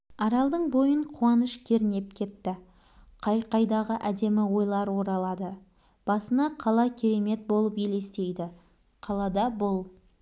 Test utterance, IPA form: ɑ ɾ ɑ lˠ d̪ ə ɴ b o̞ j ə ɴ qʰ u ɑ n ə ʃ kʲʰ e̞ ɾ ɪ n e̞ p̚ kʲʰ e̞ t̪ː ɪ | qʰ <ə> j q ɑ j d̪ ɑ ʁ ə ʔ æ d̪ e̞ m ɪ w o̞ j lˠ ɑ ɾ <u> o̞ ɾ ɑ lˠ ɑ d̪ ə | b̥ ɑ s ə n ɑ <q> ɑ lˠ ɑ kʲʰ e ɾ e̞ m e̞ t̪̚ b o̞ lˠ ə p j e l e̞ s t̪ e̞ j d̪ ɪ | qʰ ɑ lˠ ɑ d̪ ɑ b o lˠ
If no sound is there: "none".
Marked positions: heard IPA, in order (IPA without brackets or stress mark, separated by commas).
ɑ, w, qʰ